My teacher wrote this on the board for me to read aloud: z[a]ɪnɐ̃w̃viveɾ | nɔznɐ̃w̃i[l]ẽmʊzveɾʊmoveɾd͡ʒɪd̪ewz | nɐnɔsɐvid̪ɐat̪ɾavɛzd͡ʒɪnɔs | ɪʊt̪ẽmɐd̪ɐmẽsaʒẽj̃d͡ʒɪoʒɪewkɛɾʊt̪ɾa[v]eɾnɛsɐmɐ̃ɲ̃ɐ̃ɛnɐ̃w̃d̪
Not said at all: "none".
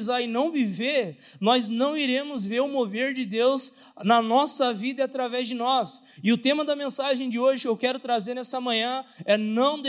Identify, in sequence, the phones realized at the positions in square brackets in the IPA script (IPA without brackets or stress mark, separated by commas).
a, ɾ, z